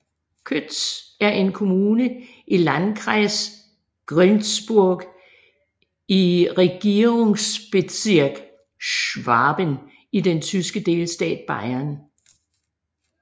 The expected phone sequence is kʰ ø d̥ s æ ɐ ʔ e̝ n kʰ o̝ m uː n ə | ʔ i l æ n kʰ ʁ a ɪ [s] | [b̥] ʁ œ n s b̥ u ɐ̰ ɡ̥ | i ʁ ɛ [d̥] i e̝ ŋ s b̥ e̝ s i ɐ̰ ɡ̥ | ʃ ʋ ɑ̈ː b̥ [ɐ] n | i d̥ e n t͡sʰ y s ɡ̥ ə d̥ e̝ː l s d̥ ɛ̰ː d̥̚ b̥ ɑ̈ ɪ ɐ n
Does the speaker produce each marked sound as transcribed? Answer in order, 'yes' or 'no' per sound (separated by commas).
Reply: yes, no, no, no